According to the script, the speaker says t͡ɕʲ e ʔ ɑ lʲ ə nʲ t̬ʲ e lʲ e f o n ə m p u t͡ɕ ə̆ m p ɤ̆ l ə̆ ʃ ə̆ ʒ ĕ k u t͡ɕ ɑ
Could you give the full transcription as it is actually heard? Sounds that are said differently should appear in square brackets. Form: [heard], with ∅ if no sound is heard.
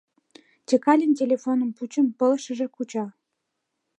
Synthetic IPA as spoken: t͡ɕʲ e [k] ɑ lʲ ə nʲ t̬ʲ e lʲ e f o n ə m p u t͡ɕ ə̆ m p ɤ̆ l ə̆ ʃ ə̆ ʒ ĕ k u t͡ɕ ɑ